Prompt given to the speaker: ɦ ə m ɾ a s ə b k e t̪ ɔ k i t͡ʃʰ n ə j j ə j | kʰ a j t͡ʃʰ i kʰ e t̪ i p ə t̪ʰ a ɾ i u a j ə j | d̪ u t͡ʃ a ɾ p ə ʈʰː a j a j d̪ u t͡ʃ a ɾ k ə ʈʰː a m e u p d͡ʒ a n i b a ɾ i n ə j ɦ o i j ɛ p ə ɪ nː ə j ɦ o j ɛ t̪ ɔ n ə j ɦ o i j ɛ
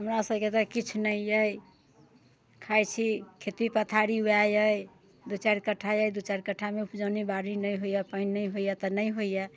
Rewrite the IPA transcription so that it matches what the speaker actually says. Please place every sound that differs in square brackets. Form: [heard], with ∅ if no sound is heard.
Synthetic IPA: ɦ ə m ɾ a s ə b k e t̪ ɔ k i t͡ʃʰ n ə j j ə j | kʰ a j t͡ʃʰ i kʰ e t̪ i p ə t̪ʰ a ɾ i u a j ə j | d̪ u t͡ʃ a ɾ [k] ə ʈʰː a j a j d̪ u t͡ʃ a ɾ k ə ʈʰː a m e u p d͡ʒ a n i b a ɾ i n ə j ɦ o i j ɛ p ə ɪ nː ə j ɦ o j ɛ t̪ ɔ n ə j ɦ o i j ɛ